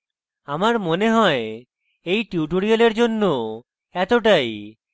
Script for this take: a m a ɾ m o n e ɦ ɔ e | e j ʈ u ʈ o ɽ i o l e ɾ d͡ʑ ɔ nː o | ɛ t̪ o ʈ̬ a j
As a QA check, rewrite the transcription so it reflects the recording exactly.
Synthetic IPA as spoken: a m a ɾ m o n e ɦ ɔ e | e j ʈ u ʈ o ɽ i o l e ɾ d͡ʑ o nː o | ɛ t̪ o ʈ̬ a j

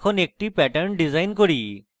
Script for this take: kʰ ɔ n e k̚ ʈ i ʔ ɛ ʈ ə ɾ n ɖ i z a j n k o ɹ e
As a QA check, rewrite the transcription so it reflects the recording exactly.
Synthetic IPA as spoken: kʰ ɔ n e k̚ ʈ i p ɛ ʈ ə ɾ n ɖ i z a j n k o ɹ i

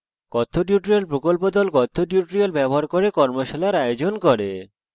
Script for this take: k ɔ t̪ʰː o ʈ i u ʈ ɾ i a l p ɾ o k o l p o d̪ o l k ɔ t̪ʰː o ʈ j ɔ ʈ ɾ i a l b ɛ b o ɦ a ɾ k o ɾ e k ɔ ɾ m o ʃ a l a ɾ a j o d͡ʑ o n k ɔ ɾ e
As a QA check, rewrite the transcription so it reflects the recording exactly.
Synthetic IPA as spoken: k ɔ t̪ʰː o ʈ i u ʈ ɾ i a l p ɾ o k o l p o d̪ ɔ l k ɔ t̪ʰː o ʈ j u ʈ ɾ i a l b ɛ b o ɦ a ɾ k o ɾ e k ɔ ɾ m o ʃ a l a ɾ a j o d͡ʑ o n k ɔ ɾ e

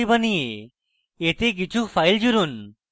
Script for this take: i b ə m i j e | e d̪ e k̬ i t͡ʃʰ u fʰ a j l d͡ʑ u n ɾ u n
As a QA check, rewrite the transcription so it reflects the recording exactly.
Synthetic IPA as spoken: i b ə n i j e | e t̪ e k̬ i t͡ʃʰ u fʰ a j l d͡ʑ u ɾ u n

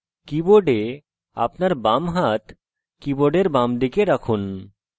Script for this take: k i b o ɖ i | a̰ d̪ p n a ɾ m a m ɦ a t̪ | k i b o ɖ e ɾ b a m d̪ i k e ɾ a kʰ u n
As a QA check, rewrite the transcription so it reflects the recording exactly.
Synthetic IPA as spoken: k i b o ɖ e | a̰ p n a ɾ b a m ɦ a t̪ | k i b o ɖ e ɾ b a m d̪ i k e ɾ a kʰ u n

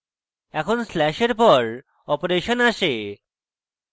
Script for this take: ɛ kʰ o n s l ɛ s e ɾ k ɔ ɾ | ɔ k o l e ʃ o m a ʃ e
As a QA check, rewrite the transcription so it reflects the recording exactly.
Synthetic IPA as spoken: ɛ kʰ o n s l ɛ ʃ e ɾ p ɔ ɾ | ɔ p o ɾ e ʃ o n a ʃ e

